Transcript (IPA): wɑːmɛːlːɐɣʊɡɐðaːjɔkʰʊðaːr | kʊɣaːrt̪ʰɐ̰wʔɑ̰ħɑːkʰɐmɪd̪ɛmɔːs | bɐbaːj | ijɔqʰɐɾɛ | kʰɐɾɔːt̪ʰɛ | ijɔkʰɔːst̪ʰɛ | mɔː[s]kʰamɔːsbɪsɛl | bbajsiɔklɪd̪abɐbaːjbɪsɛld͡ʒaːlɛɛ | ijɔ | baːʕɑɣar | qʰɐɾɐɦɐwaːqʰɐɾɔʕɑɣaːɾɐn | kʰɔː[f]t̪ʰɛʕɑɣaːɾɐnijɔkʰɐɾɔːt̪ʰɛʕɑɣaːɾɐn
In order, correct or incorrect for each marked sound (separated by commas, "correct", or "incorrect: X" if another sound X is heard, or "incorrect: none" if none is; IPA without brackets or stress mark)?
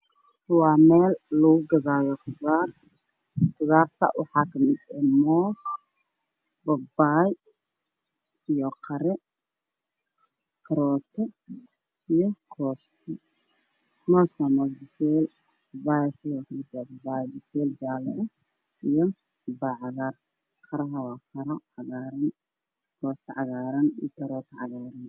correct, incorrect: s